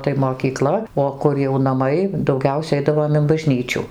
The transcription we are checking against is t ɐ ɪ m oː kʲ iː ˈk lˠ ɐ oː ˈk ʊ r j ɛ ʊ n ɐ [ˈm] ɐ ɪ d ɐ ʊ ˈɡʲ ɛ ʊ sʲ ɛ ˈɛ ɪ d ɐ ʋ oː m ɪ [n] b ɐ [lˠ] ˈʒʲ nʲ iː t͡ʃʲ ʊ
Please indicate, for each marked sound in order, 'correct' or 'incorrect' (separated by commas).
correct, correct, incorrect